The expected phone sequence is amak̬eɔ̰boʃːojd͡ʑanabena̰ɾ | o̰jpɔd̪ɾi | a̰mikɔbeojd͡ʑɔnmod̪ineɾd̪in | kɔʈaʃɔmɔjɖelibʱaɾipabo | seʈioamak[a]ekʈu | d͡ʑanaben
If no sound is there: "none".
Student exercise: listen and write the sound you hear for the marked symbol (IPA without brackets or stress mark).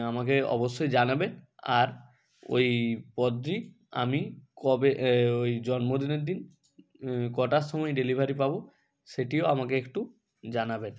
e